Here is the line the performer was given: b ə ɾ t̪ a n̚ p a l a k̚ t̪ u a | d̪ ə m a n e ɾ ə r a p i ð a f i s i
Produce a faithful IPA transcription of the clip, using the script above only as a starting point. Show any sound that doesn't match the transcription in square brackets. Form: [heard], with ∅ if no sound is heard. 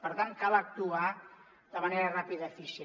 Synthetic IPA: [p] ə ɾ t̪ a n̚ [k] a l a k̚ t̪ u a | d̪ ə m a n e ɾ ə r a p i ð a f i s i

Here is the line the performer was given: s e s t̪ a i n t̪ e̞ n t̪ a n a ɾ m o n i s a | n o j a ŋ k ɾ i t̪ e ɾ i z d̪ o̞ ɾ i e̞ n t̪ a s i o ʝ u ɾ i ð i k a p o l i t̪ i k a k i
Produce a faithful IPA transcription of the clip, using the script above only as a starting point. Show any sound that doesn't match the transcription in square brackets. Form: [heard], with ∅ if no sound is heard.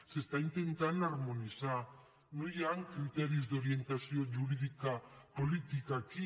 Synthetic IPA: s e s t̪ a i n t̪ e̞ n t̪ a n a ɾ m o n i s a | n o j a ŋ k ɾ i t̪ e ɾ i z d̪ o̞ ɾ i e̞ n t̪ a s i o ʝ u ɾ i ð i k a p o l i t̪ i k a k i

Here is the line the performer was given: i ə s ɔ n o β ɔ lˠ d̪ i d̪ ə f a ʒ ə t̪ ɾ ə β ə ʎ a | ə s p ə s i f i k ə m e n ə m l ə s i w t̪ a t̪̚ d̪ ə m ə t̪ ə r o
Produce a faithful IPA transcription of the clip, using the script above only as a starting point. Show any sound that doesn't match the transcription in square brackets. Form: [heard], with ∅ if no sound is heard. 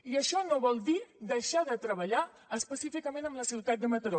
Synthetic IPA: i ə [ʃ] ɔ n o β ɔ lˠ d̪ i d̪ ə [ʃ] a [ð] ə t̪ ɾ ə β ə ʎ a | ə s p ə s i f i k ə m e n ə m l ə s i w t̪ a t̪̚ d̪ ə m ə t̪ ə [ɾ] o

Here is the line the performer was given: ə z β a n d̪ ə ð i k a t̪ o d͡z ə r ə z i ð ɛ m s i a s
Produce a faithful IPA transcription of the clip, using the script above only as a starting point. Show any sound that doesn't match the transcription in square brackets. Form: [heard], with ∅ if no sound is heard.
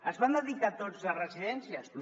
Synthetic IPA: ə z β a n d̪ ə ð i k a t̪ o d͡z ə r ə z i ð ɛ [n] s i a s

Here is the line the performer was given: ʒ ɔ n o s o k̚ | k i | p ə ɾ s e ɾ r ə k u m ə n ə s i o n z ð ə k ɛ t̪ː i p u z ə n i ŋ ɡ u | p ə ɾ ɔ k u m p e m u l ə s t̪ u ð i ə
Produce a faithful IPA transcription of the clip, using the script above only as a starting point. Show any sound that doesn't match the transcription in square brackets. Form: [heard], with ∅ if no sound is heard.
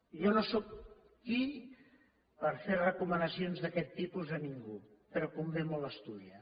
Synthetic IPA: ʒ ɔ n o s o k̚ | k i | p ə ɾ [f] e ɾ r ə k u m ə n ə s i o n z ð ə k ɛ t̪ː i p u z ə n i ŋ ɡ u | p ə ɾ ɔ k u m [b] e m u l ə s t̪ u ð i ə

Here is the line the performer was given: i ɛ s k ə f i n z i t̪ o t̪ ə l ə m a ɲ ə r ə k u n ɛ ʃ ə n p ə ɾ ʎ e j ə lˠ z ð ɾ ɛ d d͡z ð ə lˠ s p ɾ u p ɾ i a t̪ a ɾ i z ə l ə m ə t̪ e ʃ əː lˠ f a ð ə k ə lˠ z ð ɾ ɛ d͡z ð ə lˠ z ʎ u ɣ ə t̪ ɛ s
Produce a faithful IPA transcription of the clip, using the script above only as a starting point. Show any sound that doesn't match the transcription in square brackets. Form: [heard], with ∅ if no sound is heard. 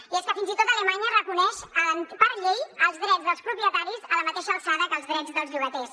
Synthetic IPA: i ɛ s k ə f i n z i t̪ o t̪ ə l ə m a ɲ ə r ə k u n ɛ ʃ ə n p ə ɾ ʎ e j ə lˠ z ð ɾ ɛ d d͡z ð ə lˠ s p ɾ u p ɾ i [ə] t̪ a ɾ i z ə l ə m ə t̪ e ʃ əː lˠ [s] a ð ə k ə lˠ z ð ɾ ɛ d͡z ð ə lˠ z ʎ u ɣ ə t̪ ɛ s

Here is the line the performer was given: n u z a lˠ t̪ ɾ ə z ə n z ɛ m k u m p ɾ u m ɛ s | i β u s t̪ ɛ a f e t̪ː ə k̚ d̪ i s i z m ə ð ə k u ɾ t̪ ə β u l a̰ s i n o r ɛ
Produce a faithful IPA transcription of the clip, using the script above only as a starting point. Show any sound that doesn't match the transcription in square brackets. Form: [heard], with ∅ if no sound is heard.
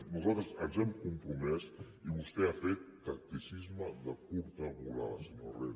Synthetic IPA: n u z a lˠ t̪ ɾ ə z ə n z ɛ m k u m p ɾ u m ɛ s | i β u s t̪ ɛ a f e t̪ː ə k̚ [t̪] i s i z m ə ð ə k u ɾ t̪ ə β u l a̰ s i n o r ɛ

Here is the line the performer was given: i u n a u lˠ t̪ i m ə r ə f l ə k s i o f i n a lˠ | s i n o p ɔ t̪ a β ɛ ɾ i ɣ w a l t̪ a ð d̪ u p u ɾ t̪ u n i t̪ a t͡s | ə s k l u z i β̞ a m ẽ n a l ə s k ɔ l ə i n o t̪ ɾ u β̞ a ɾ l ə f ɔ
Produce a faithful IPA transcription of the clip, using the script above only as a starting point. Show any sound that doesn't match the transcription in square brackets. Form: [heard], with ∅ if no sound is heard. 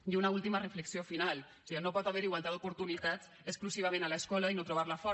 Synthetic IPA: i u n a u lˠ t̪ i m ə r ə f l ə k s i o f i n a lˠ | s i n o p ɔ t̪ a β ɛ ɾ i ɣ w a l t̪ a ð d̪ u p u ɾ t̪ u n i t̪ a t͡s | ə s k l u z i β̞ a m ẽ n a l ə s k ɔ l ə i n o t̪ ɾ u β̞ a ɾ l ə f ɔ

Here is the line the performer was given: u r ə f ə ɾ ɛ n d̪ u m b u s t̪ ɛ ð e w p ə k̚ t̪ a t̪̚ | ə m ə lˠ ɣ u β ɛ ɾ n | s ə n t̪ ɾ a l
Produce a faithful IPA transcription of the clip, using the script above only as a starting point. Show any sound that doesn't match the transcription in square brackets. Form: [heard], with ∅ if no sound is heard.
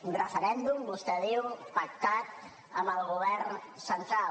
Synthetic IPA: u r ə f ə ɾ ɛ n d̪ u m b u s t̪ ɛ ð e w p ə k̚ t̪ a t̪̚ | ə m ə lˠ ɣ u β ɛ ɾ n | s ə n t̪ ɾ a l

